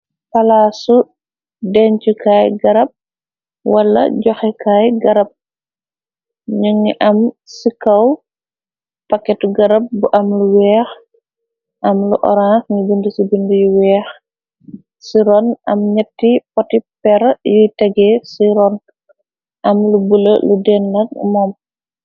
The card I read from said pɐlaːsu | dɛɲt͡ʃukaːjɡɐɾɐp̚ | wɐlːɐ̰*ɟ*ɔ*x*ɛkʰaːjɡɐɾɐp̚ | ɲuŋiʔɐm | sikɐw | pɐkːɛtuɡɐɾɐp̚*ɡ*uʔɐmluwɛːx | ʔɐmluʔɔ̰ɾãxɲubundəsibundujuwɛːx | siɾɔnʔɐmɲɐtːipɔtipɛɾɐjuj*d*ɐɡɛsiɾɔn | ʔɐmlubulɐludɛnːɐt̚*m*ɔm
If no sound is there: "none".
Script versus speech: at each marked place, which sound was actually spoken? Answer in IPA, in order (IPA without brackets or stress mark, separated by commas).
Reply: ɟ, x, b, t, m